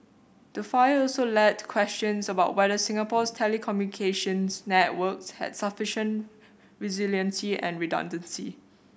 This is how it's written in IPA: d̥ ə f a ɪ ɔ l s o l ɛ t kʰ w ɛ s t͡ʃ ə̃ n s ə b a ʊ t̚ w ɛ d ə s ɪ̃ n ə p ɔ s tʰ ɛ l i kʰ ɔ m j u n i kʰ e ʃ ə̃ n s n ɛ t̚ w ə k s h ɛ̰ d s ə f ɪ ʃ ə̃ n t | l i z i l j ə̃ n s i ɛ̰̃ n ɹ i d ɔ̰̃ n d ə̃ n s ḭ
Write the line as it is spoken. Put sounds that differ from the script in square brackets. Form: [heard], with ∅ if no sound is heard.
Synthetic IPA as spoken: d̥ ə f a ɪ ɔ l s o l ɛ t kʰ w ɛ s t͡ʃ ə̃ n s ə b a ʊ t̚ w ɛ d ə s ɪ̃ [ŋ] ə p ɔ s tʰ ɛ l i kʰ ɔ m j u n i kʰ e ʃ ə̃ n s n ɛ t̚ w ə k s h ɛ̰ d s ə f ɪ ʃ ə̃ n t | [ɹ] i z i l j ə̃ n s i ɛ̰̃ n ɹ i d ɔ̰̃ n d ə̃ n s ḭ